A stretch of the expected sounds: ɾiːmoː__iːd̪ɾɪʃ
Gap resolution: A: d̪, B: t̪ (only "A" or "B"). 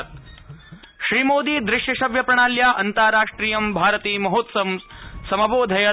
A